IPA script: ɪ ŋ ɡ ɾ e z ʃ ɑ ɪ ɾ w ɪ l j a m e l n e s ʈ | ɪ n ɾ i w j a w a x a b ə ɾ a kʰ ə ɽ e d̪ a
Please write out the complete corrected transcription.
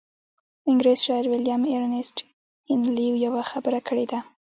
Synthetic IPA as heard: ɪ ŋ ɡ ɾ e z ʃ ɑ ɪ ɾ w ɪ l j a m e ɾ n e s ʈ | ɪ n l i w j a w a x a b ə ɾ a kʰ ə ɽ e d̪ a